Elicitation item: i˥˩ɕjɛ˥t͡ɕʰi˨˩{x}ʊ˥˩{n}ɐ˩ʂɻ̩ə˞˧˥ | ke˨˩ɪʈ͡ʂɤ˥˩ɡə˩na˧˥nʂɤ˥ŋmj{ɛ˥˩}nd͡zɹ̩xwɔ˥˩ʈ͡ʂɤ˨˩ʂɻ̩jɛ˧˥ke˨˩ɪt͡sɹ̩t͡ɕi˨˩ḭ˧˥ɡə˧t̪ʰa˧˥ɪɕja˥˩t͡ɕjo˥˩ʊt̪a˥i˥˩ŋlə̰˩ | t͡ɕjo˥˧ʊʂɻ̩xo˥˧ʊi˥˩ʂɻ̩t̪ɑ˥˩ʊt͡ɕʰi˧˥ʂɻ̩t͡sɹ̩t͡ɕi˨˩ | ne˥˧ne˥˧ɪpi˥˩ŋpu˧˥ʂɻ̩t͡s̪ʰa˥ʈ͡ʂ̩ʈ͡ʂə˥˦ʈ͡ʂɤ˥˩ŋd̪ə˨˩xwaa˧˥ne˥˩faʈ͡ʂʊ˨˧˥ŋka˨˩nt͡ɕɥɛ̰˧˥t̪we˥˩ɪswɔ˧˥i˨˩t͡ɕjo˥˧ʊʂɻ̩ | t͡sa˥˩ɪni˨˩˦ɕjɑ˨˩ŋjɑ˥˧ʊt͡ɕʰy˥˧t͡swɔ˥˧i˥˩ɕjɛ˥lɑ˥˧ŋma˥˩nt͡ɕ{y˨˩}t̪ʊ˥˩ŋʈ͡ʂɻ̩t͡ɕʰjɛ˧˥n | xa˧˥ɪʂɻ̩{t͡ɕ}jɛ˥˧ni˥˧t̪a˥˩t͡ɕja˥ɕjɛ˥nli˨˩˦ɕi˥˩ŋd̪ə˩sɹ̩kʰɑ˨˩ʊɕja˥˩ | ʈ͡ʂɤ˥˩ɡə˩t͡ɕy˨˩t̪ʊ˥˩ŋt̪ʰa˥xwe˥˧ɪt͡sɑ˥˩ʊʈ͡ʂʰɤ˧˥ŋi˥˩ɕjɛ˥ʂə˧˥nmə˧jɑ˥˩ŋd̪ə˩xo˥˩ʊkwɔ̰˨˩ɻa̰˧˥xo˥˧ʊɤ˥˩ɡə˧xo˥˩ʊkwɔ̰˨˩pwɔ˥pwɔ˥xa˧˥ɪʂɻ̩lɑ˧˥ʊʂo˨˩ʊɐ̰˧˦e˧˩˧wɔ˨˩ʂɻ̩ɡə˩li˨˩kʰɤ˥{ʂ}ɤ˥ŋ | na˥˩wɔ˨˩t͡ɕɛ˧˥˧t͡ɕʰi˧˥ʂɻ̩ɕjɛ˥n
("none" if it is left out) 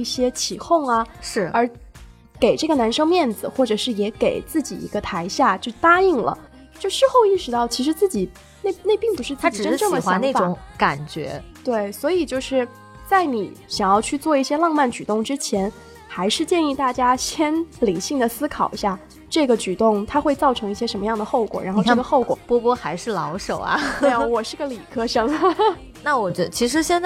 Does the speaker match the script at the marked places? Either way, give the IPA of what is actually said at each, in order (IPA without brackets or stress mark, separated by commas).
x, ŋ, ɛ˥˩, y˨˩, t͡ɕ, ʂ